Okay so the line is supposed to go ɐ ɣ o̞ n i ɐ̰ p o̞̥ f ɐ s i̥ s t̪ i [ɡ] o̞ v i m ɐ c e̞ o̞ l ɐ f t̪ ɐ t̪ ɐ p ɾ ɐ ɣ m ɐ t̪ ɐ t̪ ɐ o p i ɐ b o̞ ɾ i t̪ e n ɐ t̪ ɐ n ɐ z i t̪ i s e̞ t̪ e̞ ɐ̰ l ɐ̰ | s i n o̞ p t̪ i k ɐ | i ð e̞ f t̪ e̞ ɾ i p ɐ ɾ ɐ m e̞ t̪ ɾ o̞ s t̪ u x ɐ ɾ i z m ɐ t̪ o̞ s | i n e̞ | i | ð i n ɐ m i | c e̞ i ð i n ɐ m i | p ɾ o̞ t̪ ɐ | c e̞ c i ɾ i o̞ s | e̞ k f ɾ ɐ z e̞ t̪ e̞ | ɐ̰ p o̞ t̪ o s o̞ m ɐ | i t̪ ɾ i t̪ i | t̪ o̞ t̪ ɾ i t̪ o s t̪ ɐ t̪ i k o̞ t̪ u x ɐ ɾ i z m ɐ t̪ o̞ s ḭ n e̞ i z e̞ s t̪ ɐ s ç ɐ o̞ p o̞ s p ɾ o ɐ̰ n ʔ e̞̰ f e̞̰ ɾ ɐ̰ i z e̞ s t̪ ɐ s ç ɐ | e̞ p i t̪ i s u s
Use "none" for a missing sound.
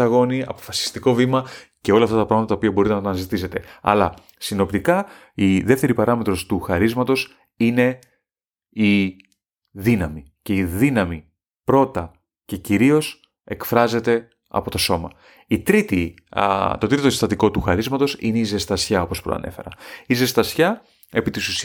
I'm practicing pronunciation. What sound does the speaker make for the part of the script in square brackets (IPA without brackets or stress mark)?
k